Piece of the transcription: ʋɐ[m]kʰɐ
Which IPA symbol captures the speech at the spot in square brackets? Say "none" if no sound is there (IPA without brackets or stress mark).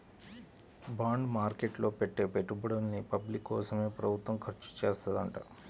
m